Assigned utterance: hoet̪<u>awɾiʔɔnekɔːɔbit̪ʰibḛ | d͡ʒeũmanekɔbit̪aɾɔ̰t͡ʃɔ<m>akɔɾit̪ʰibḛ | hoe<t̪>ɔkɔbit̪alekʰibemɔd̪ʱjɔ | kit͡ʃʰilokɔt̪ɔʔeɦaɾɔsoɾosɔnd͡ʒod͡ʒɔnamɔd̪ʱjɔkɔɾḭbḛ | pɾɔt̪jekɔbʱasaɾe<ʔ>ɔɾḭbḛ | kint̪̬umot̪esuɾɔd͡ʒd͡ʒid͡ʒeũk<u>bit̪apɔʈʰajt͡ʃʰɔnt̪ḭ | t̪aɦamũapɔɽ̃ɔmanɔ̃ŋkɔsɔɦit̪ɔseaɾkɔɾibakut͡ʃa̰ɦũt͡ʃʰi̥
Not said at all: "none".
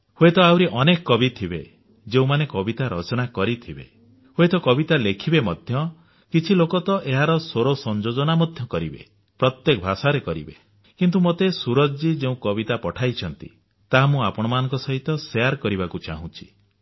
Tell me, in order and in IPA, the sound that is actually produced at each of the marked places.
ɔ, n, t̪, k, ɔ

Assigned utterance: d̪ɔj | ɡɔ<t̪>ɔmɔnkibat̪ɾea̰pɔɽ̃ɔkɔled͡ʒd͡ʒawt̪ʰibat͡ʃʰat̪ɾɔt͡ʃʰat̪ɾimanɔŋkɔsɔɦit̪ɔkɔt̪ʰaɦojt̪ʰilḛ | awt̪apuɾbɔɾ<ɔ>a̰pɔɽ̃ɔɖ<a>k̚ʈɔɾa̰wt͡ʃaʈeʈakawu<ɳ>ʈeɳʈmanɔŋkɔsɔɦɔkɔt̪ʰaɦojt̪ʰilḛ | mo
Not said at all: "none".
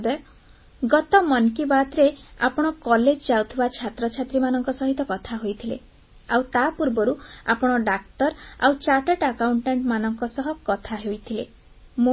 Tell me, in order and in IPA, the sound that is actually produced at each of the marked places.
t̪, u, a, ɳ

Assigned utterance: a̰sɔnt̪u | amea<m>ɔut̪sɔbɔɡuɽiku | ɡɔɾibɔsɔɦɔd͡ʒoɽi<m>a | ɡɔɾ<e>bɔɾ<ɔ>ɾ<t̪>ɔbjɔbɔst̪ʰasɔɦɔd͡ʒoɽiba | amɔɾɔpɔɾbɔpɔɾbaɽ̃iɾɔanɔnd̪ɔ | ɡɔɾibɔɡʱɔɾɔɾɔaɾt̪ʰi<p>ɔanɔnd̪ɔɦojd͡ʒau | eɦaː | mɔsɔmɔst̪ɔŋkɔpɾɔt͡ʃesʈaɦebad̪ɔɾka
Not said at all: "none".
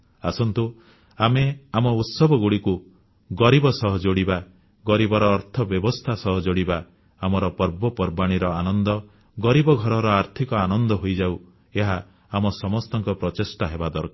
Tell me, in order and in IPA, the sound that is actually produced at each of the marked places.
m, b, i, ɔː, t̪ʰ, k

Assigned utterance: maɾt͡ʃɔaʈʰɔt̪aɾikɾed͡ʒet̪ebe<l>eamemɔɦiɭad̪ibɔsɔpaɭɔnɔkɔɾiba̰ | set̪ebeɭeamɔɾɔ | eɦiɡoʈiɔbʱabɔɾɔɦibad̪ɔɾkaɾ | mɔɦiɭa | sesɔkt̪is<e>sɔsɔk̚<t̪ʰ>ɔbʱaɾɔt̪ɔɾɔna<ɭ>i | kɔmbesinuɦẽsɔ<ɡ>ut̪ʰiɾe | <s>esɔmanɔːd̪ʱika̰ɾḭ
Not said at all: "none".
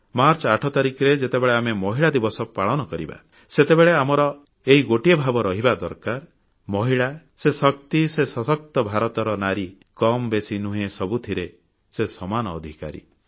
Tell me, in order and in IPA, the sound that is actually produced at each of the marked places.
ɭ, e, t̪, ɾ, b, s

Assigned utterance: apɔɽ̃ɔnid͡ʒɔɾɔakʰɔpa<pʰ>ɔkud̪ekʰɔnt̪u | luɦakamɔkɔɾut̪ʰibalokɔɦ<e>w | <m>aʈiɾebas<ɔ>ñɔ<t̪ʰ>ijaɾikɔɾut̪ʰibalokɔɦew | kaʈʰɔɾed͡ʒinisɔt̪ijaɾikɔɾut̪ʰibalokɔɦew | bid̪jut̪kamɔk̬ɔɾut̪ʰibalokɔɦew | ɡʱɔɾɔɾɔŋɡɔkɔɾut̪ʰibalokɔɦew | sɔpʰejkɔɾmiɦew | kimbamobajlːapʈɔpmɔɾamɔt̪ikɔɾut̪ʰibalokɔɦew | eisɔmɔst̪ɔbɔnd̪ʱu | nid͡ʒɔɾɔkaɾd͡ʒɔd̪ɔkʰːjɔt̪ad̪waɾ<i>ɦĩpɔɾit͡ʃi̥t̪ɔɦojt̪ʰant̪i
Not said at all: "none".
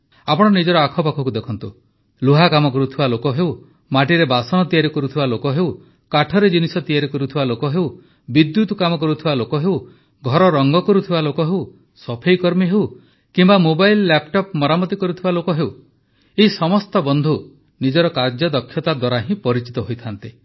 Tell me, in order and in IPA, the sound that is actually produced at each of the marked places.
kʰ, e, m, ɔ, t̪, a

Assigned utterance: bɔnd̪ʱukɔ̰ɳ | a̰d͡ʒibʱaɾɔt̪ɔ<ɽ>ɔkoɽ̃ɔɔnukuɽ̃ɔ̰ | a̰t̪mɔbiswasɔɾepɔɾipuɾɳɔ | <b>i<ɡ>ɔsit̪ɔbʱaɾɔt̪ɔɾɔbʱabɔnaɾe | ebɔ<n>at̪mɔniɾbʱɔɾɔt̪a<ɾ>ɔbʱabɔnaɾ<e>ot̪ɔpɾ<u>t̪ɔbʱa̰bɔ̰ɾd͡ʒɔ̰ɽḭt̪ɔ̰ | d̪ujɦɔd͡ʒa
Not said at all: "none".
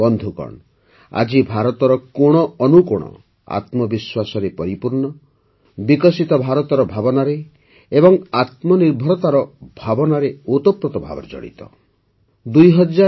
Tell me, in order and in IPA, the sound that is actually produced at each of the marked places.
ɾ, b, k, ŋ, ɾ, e, ɔ

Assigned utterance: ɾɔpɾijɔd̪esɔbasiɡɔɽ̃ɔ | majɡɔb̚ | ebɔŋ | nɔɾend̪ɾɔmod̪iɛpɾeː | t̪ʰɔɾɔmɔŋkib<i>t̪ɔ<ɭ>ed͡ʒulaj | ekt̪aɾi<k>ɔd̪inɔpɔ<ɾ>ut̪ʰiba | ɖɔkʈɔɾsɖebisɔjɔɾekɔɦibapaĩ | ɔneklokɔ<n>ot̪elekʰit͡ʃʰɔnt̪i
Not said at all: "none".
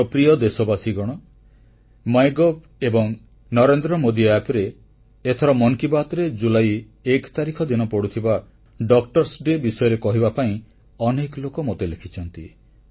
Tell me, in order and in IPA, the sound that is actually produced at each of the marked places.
a, ɾ, kʰ, ɽ, m

